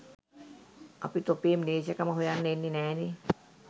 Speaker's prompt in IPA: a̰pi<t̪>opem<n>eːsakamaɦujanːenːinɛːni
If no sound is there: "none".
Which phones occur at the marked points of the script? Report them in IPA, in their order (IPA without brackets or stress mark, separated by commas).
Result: t̪, n